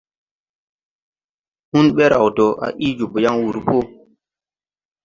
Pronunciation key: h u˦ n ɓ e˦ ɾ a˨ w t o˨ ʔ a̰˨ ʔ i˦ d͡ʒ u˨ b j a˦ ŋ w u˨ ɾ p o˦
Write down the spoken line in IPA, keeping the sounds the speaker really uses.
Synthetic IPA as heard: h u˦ n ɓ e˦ ɾ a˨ w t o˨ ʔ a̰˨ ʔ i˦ d͡ʒ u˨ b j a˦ ŋ w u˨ ɾ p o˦